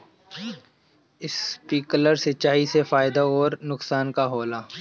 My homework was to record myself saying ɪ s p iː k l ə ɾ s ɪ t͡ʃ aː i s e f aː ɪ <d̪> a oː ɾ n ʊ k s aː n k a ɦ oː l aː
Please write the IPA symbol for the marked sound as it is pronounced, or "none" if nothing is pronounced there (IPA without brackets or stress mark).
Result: d̪